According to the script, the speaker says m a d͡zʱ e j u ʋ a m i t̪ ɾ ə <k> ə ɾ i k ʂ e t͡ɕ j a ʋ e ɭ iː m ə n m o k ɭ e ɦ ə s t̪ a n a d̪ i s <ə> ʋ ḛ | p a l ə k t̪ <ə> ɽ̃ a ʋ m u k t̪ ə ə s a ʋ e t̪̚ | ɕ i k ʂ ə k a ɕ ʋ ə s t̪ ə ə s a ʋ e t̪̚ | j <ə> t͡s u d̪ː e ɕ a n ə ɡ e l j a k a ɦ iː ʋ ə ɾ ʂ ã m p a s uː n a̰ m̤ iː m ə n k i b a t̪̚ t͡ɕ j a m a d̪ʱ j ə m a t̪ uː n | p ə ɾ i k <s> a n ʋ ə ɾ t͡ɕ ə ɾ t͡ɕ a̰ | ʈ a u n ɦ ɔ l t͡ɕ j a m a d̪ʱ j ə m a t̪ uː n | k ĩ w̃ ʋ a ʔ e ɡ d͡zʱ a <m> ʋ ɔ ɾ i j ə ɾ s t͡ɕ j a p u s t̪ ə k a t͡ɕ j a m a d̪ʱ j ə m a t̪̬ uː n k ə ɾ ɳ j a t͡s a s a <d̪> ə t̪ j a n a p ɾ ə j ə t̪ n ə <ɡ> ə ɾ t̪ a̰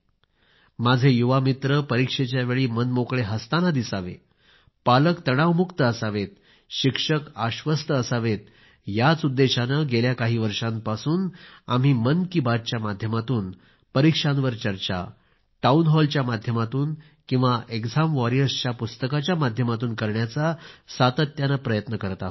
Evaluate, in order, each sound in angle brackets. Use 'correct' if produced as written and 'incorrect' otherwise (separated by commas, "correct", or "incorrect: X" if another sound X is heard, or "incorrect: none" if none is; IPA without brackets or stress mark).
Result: incorrect: p, incorrect: a, correct, incorrect: a, incorrect: ʂ, correct, incorrect: t̪, incorrect: k